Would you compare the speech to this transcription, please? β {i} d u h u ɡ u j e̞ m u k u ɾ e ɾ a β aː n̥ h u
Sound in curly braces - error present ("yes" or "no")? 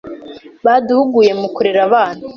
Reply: yes